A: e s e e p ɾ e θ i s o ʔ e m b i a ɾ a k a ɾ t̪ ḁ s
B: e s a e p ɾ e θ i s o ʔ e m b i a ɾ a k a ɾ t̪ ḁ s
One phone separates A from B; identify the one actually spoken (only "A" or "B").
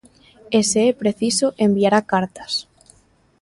A